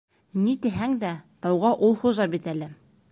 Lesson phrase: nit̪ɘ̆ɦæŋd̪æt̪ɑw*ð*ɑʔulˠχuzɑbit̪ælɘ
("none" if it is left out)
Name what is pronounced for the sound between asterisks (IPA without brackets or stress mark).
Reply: ʁ